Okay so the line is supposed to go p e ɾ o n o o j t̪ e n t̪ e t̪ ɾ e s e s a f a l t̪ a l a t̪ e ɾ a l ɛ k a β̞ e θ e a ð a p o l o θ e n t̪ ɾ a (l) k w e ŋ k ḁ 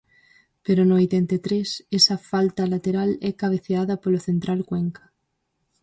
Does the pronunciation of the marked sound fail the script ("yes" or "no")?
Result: no